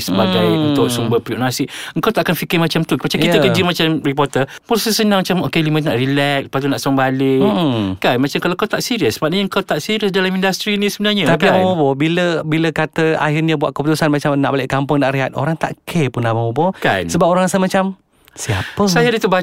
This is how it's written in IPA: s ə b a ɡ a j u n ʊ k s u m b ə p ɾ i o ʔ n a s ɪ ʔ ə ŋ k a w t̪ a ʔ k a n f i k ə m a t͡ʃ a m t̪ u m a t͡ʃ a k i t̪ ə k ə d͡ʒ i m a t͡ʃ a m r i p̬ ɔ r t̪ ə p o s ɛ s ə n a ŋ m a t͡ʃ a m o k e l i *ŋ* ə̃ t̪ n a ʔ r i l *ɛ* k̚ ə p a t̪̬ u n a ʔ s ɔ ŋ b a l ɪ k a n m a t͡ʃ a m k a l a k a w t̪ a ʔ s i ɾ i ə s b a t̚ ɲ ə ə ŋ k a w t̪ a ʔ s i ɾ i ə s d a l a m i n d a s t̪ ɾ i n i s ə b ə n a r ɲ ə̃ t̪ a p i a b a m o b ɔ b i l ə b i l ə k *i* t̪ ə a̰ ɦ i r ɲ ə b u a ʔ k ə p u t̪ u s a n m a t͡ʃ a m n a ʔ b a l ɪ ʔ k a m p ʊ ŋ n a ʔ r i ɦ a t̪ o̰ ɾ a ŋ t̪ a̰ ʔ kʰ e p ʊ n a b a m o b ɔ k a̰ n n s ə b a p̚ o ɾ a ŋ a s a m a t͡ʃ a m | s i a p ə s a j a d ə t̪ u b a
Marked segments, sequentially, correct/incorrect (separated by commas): incorrect, correct, incorrect